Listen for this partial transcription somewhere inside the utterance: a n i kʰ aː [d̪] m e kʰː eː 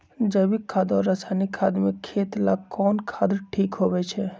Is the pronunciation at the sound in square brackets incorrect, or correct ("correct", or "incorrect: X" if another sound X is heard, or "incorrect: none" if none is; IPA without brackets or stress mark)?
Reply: correct